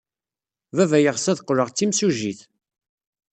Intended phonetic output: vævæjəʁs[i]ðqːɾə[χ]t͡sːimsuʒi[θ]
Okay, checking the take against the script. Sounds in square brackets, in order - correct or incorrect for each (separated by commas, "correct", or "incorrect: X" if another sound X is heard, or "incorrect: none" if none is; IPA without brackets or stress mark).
incorrect: æ, incorrect: ʁ, correct